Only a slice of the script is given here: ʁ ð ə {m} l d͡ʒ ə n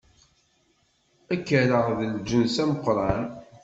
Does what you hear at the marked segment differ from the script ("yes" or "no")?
yes